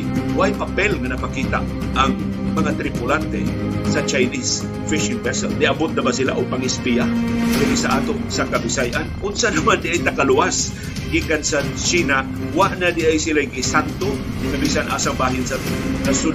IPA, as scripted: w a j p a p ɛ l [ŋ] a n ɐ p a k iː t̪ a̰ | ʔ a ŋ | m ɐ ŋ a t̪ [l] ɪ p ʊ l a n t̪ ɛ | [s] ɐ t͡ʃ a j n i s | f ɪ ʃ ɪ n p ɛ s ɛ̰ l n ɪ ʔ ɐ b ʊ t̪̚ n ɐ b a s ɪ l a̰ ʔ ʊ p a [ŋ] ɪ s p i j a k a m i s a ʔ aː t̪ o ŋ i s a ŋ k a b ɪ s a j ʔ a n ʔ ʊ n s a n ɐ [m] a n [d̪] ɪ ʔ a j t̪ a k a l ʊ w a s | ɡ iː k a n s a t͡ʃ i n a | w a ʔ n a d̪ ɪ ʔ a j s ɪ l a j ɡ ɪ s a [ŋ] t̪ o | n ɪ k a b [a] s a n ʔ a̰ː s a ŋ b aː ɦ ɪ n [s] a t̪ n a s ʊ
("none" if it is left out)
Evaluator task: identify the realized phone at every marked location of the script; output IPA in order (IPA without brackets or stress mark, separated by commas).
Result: ŋ, ɾ, s, ŋ, m, d̪, n, i, s